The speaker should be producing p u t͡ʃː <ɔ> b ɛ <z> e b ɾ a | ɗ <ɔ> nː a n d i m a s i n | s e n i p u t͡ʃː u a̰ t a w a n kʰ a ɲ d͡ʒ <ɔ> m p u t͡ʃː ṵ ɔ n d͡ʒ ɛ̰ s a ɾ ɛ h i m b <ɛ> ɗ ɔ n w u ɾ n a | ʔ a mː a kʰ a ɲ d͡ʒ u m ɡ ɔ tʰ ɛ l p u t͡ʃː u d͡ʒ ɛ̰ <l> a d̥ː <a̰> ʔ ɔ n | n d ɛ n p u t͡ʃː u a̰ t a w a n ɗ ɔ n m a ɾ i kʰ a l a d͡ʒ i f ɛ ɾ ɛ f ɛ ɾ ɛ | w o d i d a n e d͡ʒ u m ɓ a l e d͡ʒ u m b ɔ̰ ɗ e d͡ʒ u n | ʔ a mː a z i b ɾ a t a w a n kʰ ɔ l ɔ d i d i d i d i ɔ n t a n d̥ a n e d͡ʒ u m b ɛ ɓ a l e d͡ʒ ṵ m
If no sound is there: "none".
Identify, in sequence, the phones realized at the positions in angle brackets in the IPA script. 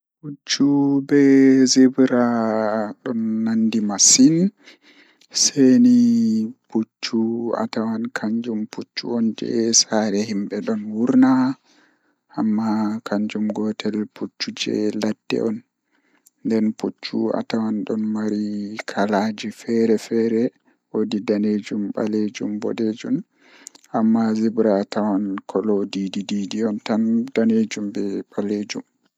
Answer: u, z, ɔ, u, ɛ, l, ɛ̰

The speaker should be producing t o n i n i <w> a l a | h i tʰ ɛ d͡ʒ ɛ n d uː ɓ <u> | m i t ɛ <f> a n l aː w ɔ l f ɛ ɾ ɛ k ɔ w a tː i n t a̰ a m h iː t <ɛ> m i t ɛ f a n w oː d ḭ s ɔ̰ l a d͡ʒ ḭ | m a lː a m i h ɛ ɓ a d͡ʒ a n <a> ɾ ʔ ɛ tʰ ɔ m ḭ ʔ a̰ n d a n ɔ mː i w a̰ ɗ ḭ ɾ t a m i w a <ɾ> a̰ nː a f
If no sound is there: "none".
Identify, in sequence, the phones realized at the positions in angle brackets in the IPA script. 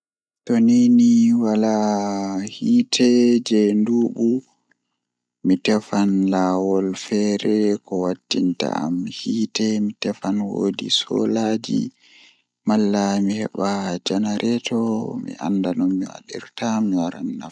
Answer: w, u, f, ɛ, a, ɾ

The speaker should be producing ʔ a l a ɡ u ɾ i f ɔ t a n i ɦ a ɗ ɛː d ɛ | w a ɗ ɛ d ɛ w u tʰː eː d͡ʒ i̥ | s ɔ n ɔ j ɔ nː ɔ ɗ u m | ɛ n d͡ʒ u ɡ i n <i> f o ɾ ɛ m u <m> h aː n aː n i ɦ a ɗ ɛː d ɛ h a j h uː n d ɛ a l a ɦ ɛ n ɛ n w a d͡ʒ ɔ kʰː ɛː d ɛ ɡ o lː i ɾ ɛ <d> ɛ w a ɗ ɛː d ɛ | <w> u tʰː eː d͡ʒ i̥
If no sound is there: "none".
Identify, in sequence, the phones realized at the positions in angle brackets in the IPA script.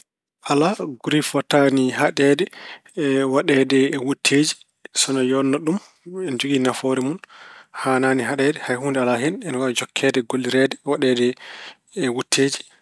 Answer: a, n, d, w

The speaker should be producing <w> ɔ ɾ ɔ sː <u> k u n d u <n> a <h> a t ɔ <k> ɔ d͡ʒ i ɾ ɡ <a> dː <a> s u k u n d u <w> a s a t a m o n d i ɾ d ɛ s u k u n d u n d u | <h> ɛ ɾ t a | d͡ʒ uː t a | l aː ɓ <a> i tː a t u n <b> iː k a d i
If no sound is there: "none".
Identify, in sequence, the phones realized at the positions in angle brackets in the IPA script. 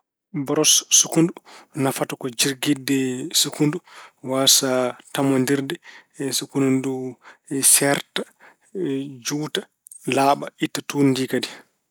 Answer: b, u, n, f, k, i, ɛ, w, s, a, d

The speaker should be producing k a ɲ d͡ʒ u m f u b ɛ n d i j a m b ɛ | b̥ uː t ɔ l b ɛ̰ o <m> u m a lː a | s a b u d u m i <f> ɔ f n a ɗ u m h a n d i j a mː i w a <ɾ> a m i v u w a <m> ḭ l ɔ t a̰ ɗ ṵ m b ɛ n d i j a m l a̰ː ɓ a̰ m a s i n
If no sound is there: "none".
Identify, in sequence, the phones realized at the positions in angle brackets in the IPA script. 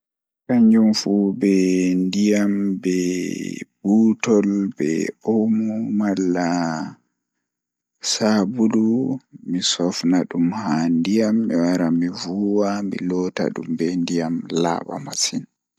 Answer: m, s, ɾ, m

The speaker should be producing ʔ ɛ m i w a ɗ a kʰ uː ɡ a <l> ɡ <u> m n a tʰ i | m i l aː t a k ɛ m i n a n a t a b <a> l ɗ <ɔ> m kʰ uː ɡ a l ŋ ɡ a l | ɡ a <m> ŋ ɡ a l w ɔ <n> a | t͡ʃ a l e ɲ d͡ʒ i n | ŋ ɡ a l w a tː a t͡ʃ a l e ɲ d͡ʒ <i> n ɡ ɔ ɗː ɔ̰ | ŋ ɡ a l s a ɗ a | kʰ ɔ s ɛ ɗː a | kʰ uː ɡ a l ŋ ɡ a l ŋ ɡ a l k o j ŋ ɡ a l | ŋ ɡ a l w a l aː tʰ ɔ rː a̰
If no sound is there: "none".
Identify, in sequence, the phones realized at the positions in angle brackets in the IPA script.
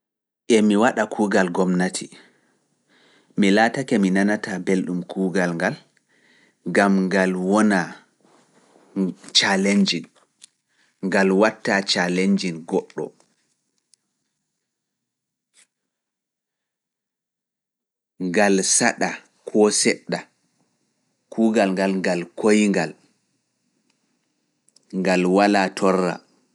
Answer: l, ɔ, e, u, m, n, i

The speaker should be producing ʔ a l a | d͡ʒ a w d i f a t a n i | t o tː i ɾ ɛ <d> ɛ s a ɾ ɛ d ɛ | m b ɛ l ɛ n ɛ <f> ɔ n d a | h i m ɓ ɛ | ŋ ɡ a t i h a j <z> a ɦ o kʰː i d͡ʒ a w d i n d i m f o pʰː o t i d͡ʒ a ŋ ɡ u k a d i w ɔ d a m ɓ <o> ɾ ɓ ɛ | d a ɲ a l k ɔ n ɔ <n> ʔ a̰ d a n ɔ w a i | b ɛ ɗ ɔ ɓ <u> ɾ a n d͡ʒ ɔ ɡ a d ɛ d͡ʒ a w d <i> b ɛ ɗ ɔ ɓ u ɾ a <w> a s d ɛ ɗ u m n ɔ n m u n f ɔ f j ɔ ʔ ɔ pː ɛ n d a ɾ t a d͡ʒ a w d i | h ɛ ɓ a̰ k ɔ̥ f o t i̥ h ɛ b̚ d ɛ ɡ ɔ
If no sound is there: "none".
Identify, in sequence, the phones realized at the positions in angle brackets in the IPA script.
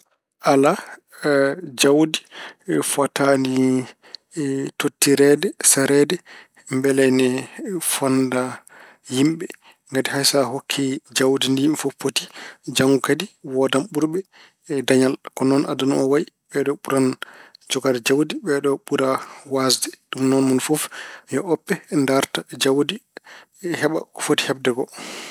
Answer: d, f, s, u, n, u, i, w

